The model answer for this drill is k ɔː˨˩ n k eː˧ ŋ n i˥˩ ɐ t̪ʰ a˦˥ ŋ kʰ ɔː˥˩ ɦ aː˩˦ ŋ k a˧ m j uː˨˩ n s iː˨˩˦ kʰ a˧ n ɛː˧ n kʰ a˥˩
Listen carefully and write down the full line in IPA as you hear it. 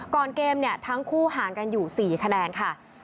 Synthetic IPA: k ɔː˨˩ n k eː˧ m n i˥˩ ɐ t̪ʰ a˦˥ ŋ kʰ uː˥˩ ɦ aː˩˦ ŋ k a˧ n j uː˨˩ s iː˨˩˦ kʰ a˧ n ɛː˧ n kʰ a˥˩